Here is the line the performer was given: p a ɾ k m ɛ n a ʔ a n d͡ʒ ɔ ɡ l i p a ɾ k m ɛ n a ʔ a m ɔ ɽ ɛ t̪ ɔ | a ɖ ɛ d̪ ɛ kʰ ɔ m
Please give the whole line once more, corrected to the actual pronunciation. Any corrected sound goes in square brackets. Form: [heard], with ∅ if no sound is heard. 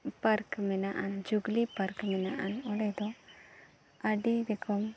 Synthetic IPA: p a ɾ k m ɛ n a ʔ a n d͡ʒ [u] ɡ l i p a ɾ k m ɛ n a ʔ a [n] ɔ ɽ ɛ [d̪] ɔ | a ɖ [i] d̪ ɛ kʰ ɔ m